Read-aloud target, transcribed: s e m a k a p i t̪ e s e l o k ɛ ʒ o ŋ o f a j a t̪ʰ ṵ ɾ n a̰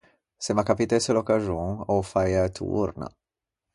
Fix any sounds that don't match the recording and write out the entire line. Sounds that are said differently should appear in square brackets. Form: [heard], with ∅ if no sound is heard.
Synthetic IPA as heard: s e m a k a p i t̪ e s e l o k [a] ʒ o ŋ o f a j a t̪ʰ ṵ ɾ n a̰